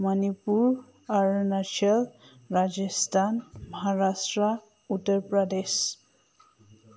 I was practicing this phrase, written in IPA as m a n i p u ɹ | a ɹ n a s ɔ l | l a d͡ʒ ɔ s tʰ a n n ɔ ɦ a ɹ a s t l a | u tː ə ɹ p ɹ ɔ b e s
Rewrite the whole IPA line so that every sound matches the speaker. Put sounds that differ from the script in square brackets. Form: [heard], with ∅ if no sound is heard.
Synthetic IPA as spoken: m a n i p u ɹ | a ɹ n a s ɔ l | [ɹ] a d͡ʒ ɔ s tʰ a n [m] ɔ ɦ a ɹ a s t [ɹ] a | u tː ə ɹ p ɹ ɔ [d] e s